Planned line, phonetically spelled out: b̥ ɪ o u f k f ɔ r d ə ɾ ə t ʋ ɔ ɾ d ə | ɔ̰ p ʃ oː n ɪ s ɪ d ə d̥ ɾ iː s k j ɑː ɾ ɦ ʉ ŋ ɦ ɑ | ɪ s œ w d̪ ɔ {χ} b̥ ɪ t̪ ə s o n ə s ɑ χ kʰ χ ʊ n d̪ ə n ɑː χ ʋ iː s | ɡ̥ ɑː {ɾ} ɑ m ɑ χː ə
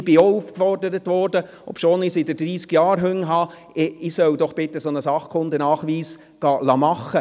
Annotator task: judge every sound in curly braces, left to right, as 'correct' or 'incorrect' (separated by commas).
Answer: correct, incorrect